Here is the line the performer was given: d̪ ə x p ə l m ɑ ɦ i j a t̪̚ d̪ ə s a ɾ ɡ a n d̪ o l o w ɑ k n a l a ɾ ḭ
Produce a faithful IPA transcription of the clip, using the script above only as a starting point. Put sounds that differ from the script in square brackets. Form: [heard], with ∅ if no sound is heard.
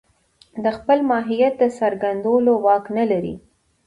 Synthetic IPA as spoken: d̪ ə x p ə l m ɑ ɦ i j a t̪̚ d̪ ə s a ɾ ɡ a n d̪ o l o w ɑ k n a l a ɾ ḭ